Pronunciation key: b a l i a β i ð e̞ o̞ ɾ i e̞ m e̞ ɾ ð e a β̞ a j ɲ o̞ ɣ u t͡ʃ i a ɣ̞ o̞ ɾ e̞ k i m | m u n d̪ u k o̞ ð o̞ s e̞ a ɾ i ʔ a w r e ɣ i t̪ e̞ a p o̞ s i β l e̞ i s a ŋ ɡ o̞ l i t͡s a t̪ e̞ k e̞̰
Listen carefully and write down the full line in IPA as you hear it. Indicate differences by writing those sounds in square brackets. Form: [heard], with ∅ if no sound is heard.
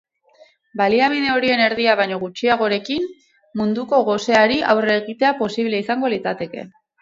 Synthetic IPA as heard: b a l i a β i ð e̞ o̞ ɾ i e̞ [n] e̞ ɾ ð [i] a β̞ a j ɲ o̞ ɣ u t͡ʃ i a ɣ̞ o̞ ɾ e̞ k i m | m u n d̪ u k o̞ [ɣ] o̞ s e̞ a ɾ i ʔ a w r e ɣ i t̪ e̞ a p o̞ s i β l e̞ i s a ŋ ɡ o̞ l i t͡s a t̪ e̞ k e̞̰